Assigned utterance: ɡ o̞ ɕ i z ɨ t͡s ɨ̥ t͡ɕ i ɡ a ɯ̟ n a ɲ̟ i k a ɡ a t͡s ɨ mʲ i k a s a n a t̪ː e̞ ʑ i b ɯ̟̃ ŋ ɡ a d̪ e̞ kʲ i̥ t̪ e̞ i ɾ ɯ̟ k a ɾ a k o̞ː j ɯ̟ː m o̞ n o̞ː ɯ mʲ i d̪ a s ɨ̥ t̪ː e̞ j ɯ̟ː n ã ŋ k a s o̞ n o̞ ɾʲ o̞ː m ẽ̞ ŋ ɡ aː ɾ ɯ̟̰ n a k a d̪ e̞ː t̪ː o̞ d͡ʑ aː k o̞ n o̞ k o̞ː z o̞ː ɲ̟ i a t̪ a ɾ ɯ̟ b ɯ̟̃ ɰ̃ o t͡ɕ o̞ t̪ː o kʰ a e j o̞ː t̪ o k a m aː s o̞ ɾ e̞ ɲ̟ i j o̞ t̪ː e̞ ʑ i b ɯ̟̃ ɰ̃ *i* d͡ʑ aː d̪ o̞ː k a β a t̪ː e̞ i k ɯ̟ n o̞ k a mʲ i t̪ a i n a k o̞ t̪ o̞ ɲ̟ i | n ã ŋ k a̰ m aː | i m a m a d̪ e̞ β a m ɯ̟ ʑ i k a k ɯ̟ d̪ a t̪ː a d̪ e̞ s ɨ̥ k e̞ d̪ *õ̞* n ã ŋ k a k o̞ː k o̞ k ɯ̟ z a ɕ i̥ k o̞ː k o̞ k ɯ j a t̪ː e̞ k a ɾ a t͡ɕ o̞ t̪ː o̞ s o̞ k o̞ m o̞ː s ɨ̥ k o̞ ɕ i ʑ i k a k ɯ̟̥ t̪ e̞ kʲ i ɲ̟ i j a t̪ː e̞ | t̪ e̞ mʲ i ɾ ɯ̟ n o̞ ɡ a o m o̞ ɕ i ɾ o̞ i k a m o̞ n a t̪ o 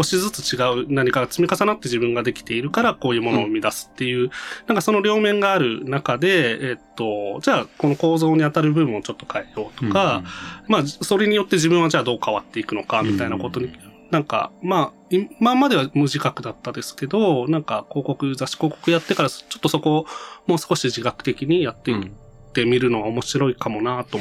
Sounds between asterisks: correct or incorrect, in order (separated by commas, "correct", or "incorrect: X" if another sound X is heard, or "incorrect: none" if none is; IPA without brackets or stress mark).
incorrect: a, incorrect: o̞